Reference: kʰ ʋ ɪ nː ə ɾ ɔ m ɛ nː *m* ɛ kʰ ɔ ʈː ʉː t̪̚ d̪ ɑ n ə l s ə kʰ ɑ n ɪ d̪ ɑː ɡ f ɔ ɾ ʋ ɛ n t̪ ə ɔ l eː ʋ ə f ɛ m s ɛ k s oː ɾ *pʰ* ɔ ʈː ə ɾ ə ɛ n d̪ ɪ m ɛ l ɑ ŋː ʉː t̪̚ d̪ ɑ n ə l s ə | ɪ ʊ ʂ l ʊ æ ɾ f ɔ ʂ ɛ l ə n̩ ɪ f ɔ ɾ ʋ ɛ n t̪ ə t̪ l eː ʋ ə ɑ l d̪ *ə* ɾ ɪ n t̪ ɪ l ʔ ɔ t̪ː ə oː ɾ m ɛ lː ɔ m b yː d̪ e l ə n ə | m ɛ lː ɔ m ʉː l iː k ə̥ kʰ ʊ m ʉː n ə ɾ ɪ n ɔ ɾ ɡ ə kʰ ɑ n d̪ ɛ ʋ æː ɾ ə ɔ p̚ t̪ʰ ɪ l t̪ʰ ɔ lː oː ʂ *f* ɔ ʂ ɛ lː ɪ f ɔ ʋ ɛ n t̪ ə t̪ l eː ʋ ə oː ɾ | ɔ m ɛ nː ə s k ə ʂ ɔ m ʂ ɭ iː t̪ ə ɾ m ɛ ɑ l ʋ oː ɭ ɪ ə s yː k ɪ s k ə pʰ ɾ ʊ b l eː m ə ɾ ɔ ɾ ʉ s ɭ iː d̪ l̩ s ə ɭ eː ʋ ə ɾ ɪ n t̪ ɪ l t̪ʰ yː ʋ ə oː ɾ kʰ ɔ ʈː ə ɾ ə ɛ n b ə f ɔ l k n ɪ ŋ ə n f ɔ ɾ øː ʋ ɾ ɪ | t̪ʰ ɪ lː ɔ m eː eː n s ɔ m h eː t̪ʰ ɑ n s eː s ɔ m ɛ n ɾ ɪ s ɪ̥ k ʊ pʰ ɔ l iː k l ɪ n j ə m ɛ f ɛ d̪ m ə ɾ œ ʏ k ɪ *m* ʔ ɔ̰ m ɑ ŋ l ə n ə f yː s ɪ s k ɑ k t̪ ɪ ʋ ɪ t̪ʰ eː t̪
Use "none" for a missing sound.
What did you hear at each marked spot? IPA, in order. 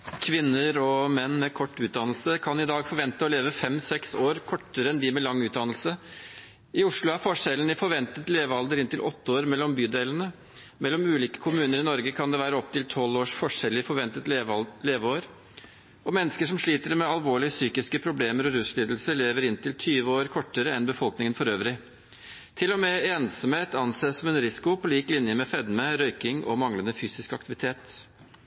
m, kʰ, ə, f, ŋ

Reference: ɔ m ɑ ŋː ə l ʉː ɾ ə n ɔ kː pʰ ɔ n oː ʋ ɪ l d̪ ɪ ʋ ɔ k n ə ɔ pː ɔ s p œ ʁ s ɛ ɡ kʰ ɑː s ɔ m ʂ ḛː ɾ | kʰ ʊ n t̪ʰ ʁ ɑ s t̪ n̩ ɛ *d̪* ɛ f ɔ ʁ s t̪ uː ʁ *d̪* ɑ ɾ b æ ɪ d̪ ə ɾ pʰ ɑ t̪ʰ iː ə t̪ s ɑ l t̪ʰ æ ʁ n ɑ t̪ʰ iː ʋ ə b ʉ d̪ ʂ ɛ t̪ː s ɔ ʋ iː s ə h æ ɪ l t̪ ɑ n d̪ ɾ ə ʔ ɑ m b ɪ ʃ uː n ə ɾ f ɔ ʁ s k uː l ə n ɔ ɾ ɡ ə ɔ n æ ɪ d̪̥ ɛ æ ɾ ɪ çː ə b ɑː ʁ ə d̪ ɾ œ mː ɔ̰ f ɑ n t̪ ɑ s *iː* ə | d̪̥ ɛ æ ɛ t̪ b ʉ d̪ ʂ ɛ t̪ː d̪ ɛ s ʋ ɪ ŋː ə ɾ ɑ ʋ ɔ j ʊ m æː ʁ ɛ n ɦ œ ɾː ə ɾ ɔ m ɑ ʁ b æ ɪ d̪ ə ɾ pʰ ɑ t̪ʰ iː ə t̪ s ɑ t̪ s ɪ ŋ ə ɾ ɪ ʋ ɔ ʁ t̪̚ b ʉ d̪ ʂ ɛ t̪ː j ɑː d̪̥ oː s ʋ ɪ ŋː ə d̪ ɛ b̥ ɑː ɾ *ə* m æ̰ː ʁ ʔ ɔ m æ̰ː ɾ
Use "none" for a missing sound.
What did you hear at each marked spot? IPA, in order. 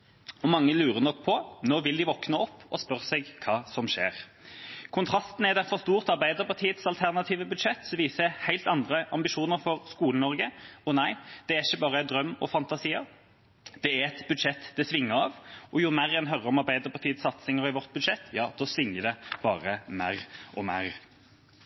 d̪, t̪, iː, ə

